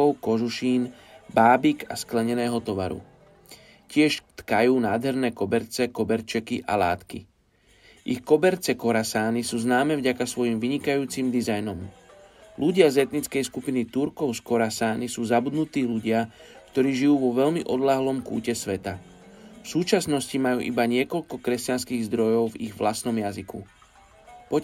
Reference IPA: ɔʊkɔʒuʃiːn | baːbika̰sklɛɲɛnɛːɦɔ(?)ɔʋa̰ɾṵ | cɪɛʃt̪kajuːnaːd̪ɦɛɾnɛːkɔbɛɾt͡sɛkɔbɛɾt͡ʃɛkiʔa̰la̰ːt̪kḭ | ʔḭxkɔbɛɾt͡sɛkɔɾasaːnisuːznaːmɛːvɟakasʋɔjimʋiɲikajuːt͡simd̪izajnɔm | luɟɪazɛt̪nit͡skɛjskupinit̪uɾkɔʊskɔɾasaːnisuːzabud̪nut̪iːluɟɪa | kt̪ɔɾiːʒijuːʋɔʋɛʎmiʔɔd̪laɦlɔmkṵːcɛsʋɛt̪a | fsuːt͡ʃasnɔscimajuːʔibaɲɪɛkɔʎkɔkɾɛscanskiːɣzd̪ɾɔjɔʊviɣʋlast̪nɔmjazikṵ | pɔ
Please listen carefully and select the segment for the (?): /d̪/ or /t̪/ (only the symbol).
t̪